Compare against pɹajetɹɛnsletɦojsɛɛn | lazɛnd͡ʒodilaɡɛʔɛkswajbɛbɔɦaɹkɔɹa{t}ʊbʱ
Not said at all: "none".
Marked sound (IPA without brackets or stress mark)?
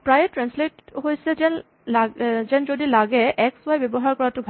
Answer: t